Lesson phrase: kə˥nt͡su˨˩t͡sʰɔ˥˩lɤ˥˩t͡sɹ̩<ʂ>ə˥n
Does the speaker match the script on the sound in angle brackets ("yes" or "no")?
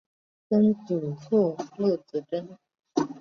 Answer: no